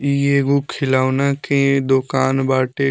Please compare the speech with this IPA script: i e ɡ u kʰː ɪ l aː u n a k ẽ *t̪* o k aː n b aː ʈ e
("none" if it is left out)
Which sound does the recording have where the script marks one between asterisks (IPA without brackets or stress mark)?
d̪